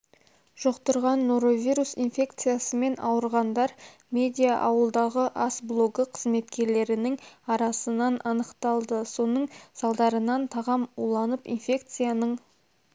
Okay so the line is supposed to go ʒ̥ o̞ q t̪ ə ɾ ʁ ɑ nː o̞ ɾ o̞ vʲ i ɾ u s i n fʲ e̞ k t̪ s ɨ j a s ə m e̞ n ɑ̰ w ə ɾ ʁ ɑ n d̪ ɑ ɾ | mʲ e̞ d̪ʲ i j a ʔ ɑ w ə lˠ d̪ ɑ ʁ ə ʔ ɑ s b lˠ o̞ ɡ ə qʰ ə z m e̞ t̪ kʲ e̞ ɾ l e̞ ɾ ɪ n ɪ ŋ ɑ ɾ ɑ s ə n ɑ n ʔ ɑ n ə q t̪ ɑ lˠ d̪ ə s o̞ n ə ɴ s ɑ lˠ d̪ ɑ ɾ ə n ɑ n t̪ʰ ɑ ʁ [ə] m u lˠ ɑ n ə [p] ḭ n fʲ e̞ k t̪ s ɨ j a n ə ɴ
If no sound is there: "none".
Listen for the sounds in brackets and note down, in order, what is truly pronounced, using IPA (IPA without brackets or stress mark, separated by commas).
ɑ, p